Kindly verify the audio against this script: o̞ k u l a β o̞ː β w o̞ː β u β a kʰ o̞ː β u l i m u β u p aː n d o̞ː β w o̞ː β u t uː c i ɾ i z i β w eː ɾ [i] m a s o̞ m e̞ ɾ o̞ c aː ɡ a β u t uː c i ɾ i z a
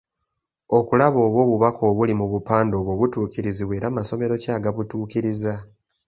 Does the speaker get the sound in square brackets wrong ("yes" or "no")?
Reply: yes